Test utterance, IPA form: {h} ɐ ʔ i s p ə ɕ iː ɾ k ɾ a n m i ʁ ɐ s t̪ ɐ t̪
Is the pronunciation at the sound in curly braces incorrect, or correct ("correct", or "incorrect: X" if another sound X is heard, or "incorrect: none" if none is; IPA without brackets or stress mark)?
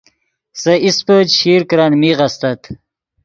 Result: incorrect: s